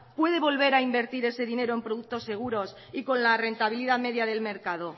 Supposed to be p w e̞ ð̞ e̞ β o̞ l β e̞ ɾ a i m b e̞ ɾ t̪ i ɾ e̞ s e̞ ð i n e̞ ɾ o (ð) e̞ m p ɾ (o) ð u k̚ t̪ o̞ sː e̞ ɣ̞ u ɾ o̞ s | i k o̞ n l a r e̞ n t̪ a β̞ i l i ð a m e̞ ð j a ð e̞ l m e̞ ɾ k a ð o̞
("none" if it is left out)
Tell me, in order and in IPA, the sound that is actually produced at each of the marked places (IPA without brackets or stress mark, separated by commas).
none, o